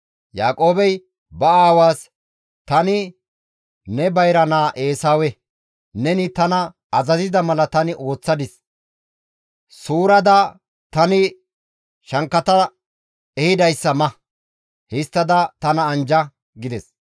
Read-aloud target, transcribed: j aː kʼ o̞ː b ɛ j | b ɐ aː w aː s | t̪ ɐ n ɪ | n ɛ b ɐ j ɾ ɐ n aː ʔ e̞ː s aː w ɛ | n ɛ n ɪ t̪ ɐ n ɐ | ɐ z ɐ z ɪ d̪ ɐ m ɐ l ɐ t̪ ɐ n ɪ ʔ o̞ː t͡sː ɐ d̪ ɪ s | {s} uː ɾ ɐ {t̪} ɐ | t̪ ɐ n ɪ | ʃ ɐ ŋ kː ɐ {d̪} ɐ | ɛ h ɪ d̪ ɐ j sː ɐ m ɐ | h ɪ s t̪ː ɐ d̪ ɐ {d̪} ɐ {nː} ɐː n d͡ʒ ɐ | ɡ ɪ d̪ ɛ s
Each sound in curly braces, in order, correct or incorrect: correct, incorrect: d̪, incorrect: t̪, incorrect: t̪, incorrect: n

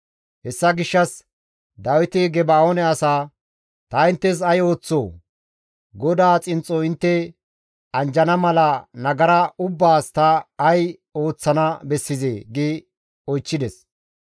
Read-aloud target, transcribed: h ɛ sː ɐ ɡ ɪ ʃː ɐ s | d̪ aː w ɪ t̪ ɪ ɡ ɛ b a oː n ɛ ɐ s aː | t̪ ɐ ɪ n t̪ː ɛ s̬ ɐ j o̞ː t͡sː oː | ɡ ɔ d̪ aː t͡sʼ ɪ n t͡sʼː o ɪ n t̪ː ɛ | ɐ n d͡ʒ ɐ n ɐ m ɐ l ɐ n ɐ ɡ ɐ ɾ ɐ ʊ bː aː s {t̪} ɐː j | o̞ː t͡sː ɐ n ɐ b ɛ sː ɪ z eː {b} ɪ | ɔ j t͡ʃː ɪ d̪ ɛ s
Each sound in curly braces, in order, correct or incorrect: correct, incorrect: ɡ

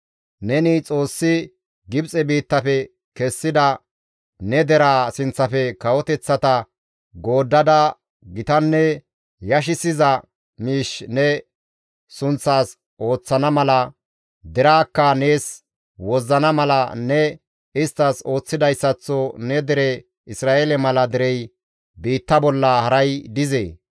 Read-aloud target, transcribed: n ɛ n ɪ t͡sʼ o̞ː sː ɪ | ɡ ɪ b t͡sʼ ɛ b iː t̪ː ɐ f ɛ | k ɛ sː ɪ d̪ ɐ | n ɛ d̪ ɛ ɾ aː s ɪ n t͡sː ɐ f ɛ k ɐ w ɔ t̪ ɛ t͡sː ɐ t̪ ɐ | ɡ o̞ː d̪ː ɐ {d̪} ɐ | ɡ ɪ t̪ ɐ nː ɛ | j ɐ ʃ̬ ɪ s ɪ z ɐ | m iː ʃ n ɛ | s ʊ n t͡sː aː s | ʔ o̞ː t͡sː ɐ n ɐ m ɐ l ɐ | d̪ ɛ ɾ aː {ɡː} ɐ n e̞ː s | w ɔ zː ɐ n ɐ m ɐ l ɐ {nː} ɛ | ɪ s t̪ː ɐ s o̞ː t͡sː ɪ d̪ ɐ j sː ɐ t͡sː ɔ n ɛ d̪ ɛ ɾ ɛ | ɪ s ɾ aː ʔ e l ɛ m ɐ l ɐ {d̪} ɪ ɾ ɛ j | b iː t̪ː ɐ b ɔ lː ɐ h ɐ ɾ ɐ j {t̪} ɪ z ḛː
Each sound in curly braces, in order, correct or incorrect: correct, incorrect: kː, incorrect: n, correct, incorrect: d̪

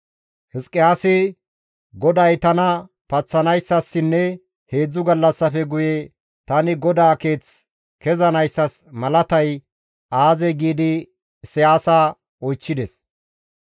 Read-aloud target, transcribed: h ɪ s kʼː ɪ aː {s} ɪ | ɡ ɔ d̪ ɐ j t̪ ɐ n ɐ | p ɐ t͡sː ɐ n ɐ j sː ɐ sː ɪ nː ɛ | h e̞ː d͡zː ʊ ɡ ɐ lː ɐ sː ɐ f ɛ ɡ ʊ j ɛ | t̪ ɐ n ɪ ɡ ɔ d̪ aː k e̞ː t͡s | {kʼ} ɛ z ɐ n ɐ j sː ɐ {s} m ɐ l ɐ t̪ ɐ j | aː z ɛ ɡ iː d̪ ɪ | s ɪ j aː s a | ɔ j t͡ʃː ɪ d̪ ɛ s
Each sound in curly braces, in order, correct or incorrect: correct, incorrect: k, correct

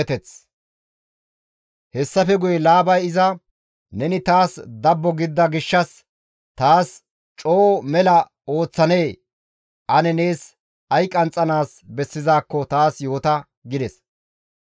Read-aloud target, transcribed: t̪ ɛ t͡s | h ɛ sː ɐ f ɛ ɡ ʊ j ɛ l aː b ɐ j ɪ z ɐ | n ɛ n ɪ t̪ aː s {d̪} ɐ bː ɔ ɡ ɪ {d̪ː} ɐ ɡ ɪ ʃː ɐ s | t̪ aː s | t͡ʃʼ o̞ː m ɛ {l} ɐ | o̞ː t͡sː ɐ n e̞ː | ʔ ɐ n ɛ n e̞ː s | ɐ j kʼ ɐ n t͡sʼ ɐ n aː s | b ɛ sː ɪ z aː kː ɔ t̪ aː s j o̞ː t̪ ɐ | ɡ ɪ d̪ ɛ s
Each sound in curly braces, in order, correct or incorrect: correct, correct, correct

